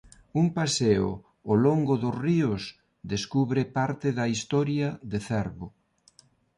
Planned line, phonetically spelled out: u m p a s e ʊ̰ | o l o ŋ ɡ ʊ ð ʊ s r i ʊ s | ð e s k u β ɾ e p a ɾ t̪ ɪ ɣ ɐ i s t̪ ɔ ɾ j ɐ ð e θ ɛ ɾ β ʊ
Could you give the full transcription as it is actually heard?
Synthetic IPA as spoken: u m p a s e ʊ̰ | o l o ŋ ɡ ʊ ð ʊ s r i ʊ s | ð e s k u β ɾ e p a ɾ t̪ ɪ ð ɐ i s t̪ ɔ ɾ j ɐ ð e θ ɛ ɾ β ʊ